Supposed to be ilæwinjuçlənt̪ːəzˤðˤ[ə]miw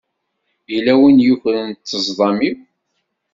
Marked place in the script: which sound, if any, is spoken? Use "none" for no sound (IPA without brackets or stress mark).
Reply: ɑ